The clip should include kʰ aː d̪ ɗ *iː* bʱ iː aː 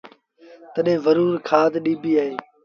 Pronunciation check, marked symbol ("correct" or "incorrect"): correct